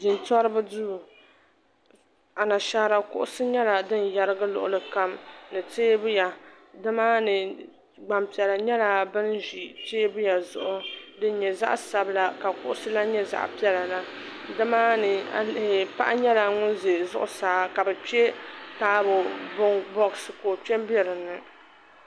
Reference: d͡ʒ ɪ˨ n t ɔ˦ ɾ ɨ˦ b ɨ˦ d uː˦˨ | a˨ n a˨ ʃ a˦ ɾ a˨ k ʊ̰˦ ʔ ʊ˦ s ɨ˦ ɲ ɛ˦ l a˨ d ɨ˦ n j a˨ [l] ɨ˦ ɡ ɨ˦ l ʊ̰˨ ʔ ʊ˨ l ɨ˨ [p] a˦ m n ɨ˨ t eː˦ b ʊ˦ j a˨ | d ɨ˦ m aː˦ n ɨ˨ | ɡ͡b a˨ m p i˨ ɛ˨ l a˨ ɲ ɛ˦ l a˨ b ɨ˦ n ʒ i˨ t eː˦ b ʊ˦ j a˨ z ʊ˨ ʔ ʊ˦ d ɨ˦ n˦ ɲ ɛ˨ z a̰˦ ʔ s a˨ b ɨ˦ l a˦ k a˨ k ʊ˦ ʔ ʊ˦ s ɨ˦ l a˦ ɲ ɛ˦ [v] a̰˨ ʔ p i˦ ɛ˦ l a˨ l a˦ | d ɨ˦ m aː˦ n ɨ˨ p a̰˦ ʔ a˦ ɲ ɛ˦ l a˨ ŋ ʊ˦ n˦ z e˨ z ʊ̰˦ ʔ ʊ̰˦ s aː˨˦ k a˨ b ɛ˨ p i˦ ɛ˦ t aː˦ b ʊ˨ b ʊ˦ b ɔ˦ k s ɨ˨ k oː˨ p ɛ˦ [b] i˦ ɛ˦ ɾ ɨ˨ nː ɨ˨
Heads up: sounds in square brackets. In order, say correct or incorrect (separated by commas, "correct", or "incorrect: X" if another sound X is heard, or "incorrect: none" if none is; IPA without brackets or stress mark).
incorrect: ɾ, incorrect: k, incorrect: z, correct